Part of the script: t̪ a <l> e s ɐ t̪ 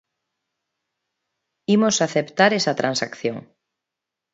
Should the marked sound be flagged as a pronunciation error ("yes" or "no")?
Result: yes